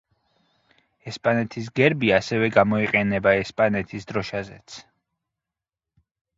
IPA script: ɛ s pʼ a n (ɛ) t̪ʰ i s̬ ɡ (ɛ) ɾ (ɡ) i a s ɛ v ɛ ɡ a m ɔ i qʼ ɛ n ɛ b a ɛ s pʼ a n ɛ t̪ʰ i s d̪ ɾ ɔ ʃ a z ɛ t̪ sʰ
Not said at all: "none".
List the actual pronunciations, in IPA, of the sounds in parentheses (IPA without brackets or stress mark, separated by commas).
ɛ, ɛ, b